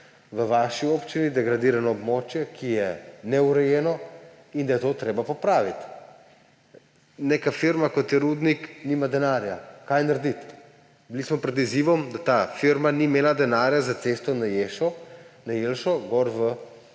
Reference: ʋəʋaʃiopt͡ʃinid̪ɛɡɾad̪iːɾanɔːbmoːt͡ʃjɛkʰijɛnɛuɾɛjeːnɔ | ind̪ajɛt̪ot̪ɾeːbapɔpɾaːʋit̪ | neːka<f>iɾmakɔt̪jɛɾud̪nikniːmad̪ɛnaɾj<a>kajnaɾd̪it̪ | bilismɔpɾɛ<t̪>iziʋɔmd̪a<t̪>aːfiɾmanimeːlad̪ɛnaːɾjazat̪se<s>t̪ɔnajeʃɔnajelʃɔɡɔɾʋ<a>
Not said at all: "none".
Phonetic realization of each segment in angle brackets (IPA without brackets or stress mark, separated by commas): f, a, d̪, t̪, s, ə